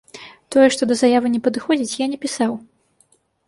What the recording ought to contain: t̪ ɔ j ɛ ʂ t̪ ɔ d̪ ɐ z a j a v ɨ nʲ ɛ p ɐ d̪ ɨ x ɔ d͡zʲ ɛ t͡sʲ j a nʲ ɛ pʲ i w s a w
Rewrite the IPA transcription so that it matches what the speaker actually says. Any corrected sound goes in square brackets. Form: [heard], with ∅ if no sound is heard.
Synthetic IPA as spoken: t̪ ɔ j ɛ ʂ t̪ ɔ d̪ ɐ z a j a v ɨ nʲ ɛ p ɐ d̪ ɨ x ɔ d͡zʲ [i] t͡sʲ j a nʲ ɛ pʲ i [∅] s a w